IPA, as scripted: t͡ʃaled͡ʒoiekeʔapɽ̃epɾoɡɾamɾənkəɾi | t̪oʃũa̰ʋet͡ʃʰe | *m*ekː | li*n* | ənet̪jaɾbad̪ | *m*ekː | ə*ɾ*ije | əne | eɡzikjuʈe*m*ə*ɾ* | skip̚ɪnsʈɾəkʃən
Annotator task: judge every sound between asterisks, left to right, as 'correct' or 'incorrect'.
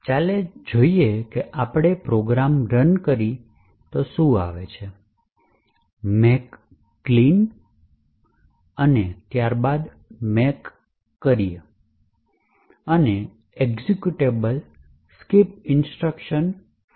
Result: correct, correct, correct, correct, incorrect, incorrect

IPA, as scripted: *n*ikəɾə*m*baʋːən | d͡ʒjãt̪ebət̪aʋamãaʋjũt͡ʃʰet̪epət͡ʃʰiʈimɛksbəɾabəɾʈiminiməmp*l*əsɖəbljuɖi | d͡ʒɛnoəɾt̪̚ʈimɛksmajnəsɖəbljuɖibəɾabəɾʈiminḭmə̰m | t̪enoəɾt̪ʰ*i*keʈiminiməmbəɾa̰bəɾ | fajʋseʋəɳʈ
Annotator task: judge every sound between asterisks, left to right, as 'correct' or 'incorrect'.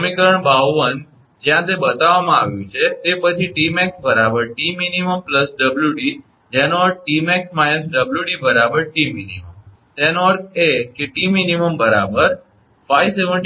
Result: incorrect, incorrect, correct, incorrect

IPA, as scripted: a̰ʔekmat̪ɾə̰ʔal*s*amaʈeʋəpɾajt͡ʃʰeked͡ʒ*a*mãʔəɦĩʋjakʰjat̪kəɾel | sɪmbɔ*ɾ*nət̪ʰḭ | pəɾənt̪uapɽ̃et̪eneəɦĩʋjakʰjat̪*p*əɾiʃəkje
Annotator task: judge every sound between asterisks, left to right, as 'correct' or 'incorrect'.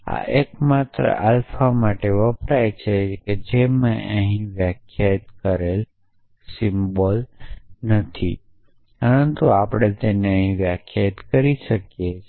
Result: incorrect, incorrect, incorrect, incorrect

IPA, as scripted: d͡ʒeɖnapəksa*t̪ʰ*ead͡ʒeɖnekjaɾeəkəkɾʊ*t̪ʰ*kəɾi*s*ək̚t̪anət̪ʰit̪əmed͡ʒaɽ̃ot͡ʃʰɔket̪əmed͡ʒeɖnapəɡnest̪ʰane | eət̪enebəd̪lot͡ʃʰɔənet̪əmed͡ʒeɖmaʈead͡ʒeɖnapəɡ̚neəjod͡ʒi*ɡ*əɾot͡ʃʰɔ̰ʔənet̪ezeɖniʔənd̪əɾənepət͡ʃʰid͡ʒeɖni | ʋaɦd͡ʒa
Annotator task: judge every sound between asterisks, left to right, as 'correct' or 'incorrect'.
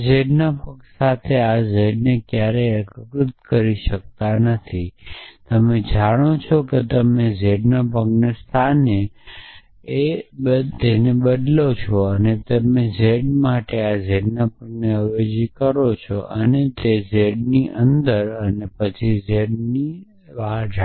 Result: correct, incorrect, incorrect, incorrect

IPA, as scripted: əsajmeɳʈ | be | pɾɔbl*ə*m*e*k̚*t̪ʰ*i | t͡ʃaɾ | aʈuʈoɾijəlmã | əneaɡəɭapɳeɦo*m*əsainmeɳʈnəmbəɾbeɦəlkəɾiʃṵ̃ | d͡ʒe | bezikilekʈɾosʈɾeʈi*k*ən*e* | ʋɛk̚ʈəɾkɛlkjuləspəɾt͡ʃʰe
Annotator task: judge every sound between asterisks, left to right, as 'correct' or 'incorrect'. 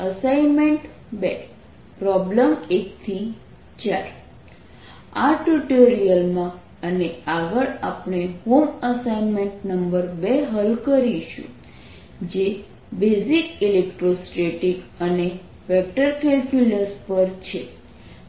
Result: correct, correct, correct, correct, correct, correct

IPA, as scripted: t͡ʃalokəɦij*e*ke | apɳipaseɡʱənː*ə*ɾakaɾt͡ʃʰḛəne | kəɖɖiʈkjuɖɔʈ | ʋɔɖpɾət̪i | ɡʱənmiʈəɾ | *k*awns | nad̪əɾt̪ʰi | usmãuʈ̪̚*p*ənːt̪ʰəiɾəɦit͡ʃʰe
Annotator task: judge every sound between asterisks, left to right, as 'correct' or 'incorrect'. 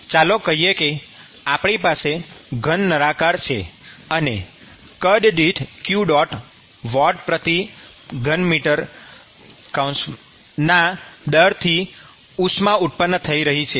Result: correct, correct, correct, correct

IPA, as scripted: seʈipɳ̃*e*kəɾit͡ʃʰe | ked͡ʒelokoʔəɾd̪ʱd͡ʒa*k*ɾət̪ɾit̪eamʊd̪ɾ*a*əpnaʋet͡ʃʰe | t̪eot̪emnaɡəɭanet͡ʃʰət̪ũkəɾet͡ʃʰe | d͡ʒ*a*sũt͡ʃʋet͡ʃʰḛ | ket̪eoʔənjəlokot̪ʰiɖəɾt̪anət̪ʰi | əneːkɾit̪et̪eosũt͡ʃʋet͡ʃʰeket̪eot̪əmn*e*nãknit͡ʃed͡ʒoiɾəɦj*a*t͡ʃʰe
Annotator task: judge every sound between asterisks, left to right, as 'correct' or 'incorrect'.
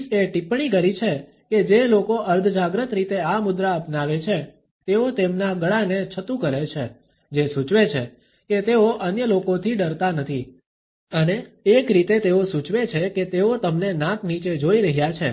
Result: incorrect, incorrect, correct, incorrect, correct, correct

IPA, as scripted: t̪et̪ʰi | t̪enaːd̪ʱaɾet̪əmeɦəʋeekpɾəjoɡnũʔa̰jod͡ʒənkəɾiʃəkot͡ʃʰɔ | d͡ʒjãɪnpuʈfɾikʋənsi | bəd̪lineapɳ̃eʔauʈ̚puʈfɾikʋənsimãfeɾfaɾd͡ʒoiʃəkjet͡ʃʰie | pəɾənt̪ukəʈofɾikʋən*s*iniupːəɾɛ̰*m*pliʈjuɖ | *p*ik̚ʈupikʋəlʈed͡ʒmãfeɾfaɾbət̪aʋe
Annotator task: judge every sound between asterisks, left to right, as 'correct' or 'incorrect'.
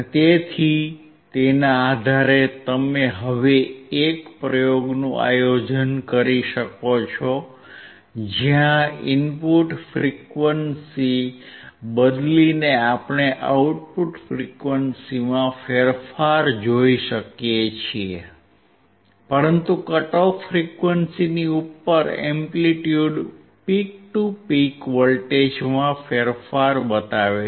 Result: correct, correct, correct

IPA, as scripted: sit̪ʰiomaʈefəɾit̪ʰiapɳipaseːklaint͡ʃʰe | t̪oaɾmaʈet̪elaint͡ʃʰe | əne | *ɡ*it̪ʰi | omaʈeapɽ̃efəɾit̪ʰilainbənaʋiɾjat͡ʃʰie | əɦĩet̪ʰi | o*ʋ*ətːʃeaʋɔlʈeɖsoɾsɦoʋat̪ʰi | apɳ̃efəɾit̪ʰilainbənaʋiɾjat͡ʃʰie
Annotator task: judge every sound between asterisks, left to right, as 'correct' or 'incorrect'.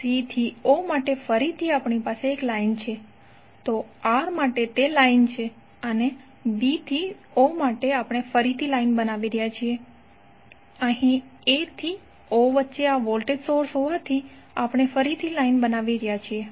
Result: incorrect, correct

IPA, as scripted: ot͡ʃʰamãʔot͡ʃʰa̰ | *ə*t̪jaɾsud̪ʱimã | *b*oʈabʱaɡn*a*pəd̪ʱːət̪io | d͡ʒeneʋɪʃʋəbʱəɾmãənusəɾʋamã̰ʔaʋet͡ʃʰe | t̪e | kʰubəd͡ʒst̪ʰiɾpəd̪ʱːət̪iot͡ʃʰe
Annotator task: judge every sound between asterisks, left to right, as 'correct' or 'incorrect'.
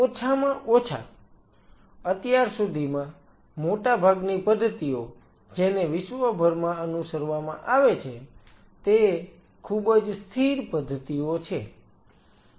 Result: correct, incorrect, incorrect

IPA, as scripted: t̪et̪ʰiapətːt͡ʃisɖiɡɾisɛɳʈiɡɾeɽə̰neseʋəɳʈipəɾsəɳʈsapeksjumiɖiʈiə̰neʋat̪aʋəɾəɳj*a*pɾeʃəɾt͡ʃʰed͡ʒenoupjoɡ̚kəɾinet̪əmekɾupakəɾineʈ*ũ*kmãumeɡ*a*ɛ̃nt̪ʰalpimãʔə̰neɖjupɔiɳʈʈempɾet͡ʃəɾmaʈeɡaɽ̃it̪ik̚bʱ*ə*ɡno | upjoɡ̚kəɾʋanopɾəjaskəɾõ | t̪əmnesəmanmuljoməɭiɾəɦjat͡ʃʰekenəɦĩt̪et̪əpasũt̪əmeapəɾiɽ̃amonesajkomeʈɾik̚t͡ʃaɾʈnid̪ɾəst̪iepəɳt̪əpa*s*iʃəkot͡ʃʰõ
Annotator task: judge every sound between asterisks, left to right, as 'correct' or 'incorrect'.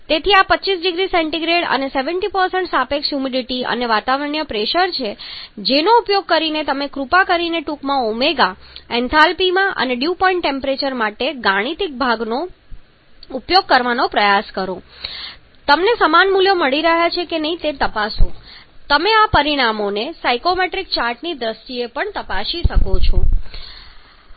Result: incorrect, incorrect, correct, incorrect, incorrect

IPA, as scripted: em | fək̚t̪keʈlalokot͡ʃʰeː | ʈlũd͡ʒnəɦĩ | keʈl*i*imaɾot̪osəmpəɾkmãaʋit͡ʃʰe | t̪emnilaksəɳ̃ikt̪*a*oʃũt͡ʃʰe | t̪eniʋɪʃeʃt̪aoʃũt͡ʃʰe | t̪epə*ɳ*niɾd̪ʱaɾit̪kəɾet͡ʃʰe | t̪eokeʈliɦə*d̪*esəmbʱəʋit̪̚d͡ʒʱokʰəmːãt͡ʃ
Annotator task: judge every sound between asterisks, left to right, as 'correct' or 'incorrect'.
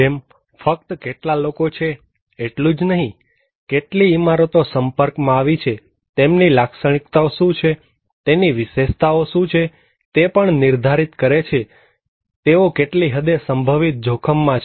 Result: correct, correct, correct, correct

